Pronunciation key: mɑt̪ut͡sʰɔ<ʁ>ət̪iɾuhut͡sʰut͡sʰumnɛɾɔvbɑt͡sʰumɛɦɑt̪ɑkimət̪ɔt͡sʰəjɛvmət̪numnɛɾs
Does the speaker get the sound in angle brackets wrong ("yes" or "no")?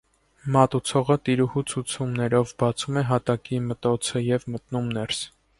no